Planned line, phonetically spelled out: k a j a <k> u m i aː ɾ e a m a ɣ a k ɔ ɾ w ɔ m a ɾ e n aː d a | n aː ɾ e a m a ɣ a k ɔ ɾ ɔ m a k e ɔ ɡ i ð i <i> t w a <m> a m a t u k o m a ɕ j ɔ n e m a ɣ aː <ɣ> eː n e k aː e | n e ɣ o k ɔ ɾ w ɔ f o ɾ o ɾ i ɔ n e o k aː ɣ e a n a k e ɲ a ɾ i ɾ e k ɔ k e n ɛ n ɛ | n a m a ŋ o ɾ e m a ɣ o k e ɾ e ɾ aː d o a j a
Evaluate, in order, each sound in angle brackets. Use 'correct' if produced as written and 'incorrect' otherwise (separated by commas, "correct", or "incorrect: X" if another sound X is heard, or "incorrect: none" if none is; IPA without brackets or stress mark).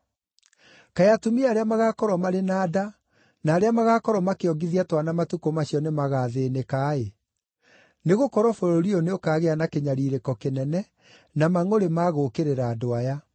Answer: incorrect: t, incorrect: a, incorrect: n, incorrect: ð